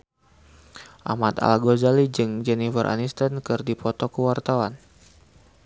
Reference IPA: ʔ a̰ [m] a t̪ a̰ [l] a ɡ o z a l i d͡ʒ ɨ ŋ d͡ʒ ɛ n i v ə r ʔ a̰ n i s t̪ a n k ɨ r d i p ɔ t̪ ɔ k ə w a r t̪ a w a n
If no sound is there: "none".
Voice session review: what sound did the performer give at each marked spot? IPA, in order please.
m, l

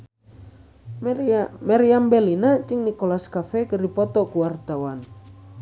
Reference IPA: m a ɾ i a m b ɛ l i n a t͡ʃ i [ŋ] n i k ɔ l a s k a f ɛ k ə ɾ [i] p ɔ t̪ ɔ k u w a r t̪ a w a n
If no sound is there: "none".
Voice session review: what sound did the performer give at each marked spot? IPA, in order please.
ŋ, i

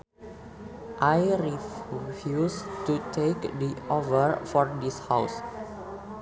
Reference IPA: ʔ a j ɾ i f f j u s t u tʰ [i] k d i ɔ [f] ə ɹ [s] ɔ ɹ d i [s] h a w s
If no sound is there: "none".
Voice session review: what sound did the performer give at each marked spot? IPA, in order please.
e, v, f, s

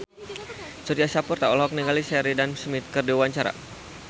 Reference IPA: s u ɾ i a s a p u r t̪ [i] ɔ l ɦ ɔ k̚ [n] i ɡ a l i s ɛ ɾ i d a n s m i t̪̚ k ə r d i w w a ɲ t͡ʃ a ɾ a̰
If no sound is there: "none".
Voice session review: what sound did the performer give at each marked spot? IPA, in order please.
a, n

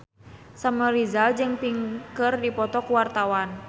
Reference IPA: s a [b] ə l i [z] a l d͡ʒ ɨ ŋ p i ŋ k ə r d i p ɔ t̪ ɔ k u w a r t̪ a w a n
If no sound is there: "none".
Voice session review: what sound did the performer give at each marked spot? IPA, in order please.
m, z

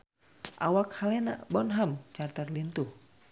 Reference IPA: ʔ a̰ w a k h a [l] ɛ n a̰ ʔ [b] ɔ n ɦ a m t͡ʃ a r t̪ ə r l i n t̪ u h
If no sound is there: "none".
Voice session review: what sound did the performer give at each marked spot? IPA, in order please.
l, b

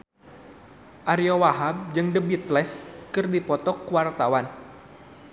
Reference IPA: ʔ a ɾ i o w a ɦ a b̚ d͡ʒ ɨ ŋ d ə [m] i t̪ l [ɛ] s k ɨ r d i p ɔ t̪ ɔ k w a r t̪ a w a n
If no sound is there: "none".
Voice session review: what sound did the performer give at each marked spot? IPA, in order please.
b, ɛ

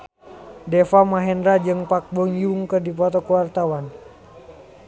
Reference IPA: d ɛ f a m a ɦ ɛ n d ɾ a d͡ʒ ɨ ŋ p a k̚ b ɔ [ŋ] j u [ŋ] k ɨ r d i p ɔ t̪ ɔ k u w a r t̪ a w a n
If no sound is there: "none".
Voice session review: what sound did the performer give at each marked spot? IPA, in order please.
ŋ, ŋ

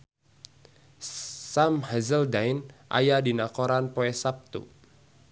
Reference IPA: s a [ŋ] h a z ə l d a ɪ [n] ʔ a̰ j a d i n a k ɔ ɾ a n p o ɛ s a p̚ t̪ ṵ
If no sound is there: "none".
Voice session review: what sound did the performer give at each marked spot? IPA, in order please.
m, n

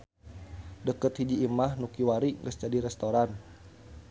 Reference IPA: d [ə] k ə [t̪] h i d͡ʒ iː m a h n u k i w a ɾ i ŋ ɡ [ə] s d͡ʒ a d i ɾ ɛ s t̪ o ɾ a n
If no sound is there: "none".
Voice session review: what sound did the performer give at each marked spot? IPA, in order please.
ə, t̪, ə

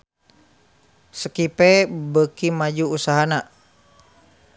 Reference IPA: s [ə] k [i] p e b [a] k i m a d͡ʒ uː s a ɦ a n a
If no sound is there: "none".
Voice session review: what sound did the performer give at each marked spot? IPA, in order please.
ə, i, ə

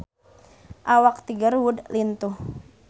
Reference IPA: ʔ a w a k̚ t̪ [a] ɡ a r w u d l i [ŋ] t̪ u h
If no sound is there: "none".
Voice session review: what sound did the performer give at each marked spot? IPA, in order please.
i, n

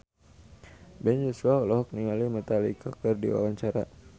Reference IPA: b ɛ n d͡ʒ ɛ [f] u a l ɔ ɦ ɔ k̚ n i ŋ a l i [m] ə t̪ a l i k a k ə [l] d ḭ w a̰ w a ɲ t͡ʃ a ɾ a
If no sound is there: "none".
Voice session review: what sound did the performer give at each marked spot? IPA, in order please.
s, m, r

